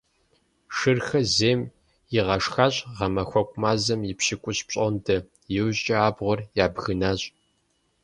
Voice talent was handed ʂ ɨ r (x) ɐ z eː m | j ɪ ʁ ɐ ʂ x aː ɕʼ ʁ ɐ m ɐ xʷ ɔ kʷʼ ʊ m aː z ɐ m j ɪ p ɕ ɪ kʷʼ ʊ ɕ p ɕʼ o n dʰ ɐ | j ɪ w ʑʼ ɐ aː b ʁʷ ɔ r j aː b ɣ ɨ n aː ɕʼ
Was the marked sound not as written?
no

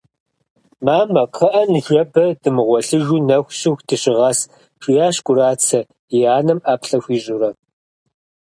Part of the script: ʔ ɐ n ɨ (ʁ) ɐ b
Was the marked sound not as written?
yes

